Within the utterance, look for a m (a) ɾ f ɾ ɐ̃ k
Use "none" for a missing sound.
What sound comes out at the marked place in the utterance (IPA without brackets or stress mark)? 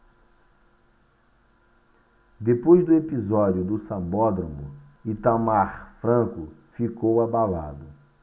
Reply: a